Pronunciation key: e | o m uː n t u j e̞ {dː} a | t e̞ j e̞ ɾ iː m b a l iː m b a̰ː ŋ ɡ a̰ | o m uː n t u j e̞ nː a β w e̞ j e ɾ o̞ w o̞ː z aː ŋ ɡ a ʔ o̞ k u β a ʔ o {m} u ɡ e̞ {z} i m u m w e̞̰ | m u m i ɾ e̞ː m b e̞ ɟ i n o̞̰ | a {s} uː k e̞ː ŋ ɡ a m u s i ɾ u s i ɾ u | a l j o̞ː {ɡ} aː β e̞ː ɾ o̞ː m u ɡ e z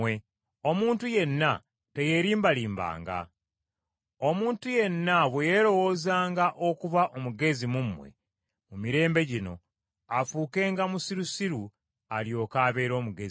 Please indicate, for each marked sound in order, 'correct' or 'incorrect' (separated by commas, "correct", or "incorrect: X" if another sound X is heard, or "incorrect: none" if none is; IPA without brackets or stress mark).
incorrect: nː, correct, correct, incorrect: f, incorrect: k